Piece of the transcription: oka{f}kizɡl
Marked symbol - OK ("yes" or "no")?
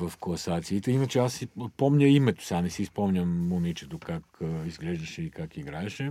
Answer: no